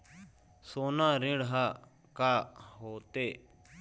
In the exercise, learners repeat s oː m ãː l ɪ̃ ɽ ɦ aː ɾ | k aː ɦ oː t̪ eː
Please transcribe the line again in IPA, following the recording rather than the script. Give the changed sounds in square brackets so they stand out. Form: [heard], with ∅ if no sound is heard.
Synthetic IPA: s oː [n] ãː [ɾ] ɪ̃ ɽ ɦ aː [∅] | k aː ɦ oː t̪ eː